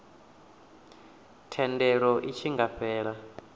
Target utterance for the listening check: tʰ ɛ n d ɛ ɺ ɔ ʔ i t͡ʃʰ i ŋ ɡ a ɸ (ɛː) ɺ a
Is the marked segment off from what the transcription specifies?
no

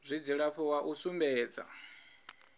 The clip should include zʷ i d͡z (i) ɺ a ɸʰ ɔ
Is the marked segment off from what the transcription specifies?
no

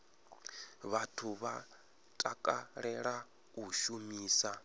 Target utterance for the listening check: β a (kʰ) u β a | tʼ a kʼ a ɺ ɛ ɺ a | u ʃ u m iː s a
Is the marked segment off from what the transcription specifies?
yes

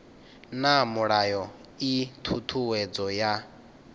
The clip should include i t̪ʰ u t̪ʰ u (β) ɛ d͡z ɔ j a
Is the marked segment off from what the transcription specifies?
yes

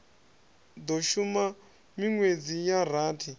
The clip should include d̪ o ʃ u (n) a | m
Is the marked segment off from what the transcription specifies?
yes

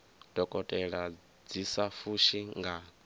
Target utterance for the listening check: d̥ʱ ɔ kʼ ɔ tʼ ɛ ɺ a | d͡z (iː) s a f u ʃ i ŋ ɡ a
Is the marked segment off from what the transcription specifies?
yes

